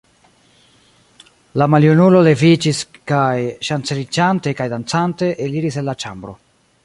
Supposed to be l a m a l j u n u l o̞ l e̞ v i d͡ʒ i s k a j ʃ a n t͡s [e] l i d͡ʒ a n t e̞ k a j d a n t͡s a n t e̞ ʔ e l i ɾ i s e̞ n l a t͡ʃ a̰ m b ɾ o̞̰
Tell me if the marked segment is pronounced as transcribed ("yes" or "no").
yes